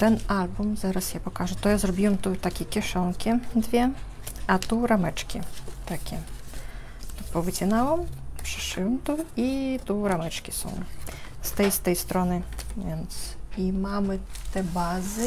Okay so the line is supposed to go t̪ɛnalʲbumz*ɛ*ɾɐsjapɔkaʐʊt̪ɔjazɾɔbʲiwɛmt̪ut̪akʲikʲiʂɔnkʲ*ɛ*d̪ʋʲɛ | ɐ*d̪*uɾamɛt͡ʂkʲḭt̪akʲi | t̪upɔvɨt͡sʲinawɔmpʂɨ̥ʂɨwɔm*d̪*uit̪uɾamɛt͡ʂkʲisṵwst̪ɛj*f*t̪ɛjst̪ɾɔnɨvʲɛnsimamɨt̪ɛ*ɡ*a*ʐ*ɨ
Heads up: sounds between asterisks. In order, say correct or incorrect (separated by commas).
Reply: incorrect, incorrect, incorrect, incorrect, incorrect, incorrect, incorrect